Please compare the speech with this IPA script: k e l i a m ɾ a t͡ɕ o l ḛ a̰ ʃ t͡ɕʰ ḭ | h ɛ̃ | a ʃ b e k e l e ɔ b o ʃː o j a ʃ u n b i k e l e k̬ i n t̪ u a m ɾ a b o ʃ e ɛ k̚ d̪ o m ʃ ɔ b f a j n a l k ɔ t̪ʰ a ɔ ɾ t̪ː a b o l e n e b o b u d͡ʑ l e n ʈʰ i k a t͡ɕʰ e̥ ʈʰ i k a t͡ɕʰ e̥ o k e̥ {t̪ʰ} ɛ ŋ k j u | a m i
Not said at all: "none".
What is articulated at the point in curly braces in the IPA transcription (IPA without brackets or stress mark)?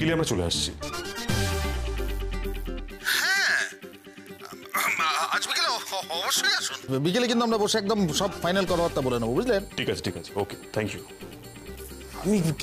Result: t̪ʰ